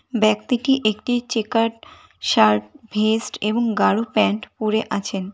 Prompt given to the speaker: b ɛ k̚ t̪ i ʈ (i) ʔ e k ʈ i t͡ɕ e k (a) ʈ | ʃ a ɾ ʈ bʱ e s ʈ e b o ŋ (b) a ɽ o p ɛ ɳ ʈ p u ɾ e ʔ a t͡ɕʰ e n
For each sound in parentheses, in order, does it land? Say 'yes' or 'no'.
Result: yes, yes, no

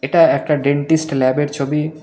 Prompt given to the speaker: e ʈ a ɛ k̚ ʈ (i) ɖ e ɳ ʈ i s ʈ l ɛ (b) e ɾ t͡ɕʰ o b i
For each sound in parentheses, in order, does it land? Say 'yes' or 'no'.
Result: no, yes

